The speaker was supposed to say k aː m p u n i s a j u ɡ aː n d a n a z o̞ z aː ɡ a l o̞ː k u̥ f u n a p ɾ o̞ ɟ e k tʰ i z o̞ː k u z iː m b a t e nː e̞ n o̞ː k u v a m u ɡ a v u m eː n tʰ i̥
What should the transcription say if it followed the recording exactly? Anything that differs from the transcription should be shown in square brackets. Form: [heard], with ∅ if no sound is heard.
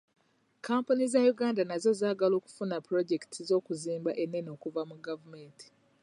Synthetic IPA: k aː m p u n i [z] a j u ɡ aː n d a n a z o̞ z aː ɡ a l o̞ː k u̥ f u n a p ɾ o̞ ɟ e k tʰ i z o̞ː k u z iː m b a [ʔ] e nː e̞ n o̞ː k u v a m u ɡ a v u m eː n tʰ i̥